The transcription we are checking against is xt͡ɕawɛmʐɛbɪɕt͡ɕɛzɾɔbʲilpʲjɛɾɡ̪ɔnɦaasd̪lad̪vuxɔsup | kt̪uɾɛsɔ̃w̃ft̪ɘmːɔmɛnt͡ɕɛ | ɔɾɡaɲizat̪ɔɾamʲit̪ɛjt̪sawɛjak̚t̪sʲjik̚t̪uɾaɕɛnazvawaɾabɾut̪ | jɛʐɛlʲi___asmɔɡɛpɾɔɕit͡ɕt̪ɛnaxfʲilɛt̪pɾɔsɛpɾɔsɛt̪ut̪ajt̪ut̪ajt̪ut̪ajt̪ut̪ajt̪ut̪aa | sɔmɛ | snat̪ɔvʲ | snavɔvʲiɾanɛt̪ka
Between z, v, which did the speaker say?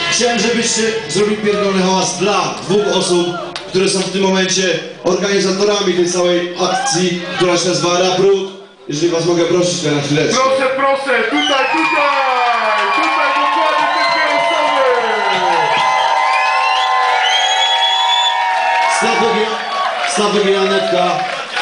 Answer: v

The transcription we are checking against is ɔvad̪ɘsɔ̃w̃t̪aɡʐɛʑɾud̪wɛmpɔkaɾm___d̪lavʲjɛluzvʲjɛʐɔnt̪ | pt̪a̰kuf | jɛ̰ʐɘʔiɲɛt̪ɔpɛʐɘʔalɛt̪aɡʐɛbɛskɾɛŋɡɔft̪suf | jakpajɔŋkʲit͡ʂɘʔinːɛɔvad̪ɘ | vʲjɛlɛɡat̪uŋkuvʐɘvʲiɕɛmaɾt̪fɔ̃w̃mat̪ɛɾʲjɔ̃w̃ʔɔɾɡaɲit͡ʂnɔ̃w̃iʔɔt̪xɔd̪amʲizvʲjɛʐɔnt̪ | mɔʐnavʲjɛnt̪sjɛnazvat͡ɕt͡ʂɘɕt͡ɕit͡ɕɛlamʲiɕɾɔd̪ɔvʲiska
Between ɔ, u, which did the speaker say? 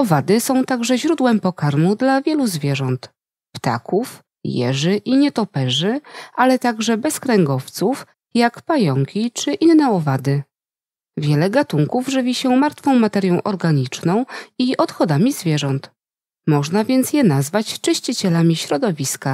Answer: u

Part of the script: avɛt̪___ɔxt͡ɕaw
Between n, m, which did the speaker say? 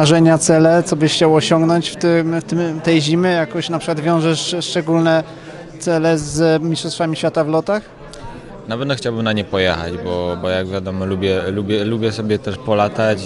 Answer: n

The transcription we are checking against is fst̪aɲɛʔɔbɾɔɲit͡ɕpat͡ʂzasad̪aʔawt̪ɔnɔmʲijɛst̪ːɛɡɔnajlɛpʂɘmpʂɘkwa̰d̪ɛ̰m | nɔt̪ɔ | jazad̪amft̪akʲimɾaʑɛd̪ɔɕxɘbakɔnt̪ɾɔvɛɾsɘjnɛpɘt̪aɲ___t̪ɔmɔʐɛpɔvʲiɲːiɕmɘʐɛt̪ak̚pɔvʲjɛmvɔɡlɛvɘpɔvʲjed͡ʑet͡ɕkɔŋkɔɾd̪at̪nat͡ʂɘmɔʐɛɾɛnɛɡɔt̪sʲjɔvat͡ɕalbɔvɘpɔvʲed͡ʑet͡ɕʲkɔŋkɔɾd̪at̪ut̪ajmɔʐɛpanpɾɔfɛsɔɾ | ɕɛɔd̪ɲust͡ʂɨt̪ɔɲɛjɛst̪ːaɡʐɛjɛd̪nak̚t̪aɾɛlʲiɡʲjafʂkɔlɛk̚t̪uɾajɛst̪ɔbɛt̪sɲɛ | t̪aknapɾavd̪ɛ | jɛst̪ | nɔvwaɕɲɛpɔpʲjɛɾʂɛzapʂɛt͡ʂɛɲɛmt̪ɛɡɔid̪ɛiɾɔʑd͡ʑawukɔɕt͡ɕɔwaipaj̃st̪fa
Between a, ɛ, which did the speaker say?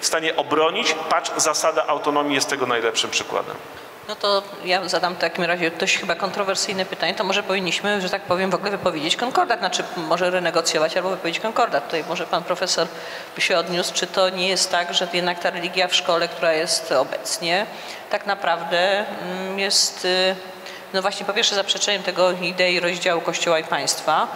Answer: ɛ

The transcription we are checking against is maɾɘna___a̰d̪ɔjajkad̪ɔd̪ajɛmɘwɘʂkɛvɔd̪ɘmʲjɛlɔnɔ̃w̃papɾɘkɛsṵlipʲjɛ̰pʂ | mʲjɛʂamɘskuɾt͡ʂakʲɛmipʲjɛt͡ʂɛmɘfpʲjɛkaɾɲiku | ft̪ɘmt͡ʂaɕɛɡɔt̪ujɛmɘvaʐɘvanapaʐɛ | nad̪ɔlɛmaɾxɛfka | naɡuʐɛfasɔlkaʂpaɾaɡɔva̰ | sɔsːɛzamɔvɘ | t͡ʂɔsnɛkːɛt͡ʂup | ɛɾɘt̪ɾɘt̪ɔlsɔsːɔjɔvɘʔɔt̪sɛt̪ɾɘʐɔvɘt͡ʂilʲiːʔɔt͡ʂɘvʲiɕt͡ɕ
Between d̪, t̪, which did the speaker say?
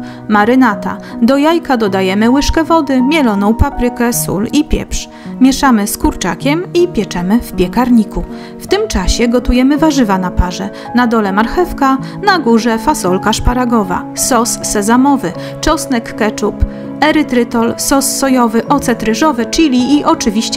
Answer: t̪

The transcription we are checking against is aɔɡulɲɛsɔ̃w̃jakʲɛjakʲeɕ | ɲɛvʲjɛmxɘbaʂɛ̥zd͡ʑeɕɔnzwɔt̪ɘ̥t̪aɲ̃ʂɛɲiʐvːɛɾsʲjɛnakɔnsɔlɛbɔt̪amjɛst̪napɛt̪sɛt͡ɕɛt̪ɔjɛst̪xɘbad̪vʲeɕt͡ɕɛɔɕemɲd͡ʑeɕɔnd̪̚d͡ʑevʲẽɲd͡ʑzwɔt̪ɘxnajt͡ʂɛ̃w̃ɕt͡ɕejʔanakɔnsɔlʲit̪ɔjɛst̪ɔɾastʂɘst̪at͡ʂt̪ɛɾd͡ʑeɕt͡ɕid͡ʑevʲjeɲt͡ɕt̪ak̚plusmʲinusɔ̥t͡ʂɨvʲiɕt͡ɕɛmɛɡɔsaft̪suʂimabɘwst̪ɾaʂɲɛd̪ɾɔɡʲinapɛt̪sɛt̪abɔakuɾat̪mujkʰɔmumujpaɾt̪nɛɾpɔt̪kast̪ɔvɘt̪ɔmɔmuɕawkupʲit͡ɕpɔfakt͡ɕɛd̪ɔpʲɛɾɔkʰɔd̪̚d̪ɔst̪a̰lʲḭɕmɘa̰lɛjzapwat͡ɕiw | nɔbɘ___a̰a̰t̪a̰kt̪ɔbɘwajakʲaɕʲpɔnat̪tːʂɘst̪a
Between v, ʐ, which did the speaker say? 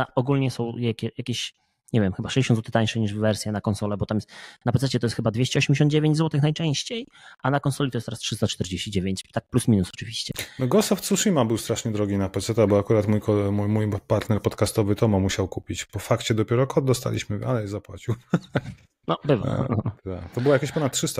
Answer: v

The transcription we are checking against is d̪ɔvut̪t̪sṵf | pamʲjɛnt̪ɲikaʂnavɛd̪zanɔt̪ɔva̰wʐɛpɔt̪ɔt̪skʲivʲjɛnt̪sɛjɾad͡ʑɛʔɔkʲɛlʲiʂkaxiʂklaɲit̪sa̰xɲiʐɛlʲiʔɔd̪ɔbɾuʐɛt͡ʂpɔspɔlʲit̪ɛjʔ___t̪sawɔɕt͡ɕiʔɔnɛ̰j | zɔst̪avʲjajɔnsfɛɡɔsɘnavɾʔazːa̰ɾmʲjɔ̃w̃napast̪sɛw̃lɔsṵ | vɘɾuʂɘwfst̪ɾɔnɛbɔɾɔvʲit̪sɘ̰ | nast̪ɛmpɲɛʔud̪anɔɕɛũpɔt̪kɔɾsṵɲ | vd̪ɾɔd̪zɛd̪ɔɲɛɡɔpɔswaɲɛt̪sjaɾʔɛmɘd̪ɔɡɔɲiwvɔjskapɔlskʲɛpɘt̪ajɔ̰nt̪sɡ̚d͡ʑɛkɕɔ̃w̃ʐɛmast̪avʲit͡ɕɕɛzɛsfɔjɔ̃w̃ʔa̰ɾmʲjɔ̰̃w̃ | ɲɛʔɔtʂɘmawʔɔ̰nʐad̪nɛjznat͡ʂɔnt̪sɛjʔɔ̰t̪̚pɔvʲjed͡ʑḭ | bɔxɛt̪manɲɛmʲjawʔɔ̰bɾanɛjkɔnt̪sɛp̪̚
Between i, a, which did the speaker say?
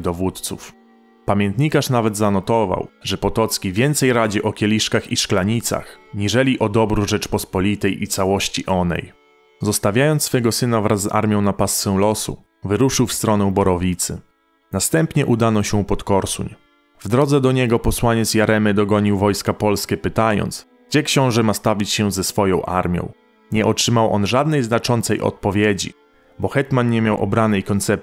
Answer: i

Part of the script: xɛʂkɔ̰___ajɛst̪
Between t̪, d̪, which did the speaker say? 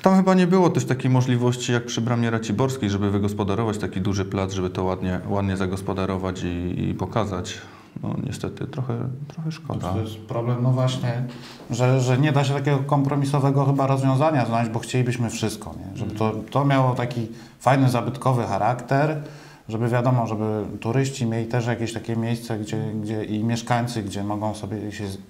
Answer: d̪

